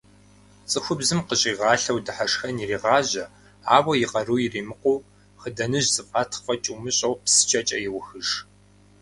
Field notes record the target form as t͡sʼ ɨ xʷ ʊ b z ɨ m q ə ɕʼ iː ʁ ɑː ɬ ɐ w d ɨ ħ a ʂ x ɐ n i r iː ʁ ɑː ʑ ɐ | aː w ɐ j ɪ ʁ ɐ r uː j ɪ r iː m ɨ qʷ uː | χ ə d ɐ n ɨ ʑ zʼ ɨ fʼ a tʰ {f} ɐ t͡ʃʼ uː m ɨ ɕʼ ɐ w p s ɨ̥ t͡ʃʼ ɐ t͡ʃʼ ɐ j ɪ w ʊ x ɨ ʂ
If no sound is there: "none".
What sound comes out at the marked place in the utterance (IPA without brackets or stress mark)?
f